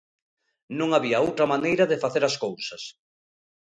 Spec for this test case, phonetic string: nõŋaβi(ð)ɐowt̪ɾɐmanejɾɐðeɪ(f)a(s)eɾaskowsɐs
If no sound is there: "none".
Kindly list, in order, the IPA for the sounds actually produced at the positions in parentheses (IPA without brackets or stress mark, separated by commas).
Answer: none, f, θ